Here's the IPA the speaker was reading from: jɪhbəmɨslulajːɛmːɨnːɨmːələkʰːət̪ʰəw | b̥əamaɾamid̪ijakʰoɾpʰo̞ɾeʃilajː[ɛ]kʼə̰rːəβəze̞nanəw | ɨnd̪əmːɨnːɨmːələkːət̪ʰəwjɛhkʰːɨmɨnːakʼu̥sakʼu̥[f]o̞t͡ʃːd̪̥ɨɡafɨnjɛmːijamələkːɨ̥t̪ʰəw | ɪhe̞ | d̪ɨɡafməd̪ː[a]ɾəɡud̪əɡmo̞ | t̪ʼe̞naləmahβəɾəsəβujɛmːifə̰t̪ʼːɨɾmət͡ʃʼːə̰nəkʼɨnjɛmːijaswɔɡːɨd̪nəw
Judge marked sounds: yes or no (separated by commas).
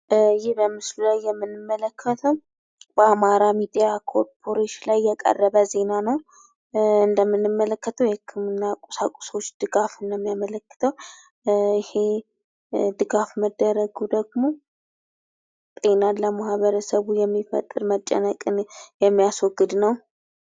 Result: yes, no, no